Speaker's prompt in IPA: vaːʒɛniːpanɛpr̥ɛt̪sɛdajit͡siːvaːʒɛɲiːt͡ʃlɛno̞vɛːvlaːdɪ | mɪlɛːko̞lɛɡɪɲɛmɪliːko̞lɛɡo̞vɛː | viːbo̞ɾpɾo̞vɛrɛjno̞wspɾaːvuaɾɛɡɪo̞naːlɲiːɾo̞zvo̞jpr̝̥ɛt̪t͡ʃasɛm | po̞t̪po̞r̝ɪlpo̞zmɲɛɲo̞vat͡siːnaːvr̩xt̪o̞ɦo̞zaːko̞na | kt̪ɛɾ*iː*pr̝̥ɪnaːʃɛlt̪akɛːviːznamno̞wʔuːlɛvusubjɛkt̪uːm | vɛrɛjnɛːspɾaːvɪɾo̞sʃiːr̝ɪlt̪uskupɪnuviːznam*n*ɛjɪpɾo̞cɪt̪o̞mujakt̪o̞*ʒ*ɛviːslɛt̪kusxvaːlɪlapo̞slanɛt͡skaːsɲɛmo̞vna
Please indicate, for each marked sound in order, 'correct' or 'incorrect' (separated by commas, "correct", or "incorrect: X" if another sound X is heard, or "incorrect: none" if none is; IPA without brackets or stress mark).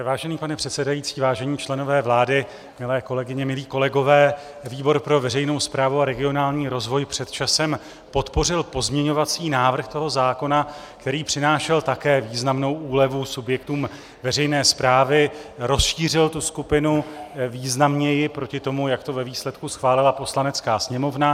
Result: correct, incorrect: ɲ, incorrect: v